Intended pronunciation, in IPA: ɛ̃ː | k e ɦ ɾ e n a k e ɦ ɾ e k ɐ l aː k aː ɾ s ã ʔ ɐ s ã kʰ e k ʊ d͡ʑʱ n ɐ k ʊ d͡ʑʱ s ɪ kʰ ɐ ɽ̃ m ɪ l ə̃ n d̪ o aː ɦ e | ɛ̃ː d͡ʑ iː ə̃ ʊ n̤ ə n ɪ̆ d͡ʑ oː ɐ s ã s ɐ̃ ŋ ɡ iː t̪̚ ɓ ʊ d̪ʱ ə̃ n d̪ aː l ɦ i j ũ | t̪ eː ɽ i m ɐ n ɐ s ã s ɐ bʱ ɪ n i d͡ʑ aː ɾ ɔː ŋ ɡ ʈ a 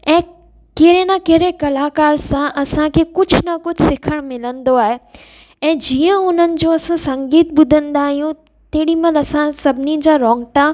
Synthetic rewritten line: ɛ̃ː | k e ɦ ɾ e n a k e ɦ ɾ e k ɐ l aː k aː ɾ s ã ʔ ɐ s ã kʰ e k ʊ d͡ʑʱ n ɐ k ʊ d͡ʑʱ s ɪ kʰ ə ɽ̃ m ɪ l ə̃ n d̪ o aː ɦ e | ɛ̃ː d͡ʑ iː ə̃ ʊ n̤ ə n ɪ̆ d͡ʑ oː ɐ s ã s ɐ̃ ŋ ɡ iː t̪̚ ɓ ʊ d̪ʱ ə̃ n d̪ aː ɦ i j ũ | t̪ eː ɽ i m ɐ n ɐ s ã s ɐ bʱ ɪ n i d͡ʑ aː ɾ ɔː ŋ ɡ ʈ a

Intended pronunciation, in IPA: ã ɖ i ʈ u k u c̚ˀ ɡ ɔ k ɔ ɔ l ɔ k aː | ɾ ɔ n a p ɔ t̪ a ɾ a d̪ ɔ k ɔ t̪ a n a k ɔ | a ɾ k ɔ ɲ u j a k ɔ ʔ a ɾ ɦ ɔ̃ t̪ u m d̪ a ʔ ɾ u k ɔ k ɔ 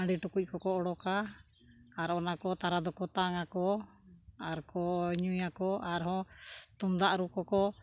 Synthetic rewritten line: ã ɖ i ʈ u k u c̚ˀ k ɔ k ɔ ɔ ɽ ɔ k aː | ɾ ɔ n a k ɔ t̪ a ɾ a d̪ ɔ k ɔ t̪ a ŋ a k ɔ | a ɾ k ɔ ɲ u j a k ɔ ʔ a ɾ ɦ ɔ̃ t̪ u m d̪ a ʔ ɾ u k ɔ k ɔ

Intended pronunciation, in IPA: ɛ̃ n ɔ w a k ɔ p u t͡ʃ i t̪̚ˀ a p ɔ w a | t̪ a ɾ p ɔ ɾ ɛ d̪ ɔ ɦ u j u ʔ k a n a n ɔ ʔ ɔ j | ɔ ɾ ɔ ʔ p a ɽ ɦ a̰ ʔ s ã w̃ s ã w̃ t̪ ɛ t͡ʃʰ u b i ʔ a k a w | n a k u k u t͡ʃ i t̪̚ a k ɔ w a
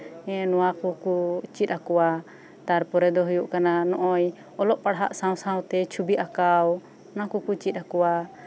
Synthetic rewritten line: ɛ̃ n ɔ w a k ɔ k u t͡ʃ i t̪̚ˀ a k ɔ w a | t̪ a ɾ p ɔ ɾ ɛ d̪ ɔ ɦ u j u ʔ k a n a n ɔ ʔ ɔ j | ɔ l ɔ ʔ p a ɽ ɦ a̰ ʔ s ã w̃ s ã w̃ t̪ ɛ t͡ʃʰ u b i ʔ a k a w | n a k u k u t͡ʃ i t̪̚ a k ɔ w a

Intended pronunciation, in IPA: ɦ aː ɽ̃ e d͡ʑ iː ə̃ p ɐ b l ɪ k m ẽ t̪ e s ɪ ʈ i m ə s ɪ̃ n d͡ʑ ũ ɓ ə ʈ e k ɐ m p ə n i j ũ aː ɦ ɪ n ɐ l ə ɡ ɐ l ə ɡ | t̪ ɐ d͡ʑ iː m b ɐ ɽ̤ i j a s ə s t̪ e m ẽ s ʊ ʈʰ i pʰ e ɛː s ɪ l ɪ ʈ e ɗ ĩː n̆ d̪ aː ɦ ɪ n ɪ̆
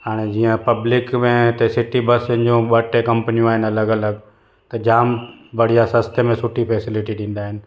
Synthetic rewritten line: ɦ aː ɽ̃ e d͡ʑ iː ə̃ p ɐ b l ɪ k m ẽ t̪ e s ɪ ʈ i b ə s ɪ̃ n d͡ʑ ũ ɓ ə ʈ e k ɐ m p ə n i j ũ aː ɦ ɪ n ɐ l ə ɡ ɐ l ə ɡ | t̪ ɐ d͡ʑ aː m b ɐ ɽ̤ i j a s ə s t̪ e m ẽ s ʊ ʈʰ i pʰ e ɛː s ɪ l ɪ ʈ i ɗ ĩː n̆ d̪ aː ɦ ɪ n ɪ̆

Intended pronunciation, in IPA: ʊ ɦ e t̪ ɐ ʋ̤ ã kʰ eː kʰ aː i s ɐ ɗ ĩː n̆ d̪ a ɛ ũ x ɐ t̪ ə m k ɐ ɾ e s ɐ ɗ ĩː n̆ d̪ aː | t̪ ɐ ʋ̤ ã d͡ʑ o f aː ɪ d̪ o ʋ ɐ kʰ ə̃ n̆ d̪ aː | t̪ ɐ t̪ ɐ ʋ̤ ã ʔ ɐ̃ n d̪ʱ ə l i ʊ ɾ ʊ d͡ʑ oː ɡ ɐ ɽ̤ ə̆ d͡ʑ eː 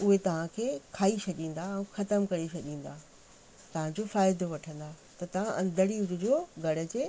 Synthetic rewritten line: ʊ ɦ e t̪ ɐ ʋ̤ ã kʰ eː kʰ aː i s ɐ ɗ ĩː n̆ d̪ a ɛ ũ x ɐ t̪ ə m k ɐ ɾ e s ɐ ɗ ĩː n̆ d̪ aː | t̪ ɐ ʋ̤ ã d͡ʑ o f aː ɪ d̪ o ʋ ɐ ʈʰ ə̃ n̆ d̪ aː | t̪ ɐ t̪ ɐ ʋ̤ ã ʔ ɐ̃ n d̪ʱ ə ɽ i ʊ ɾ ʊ d͡ʑ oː ɡ ɐ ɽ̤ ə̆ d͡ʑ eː

